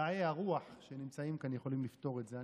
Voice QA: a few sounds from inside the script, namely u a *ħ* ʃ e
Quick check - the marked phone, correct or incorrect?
correct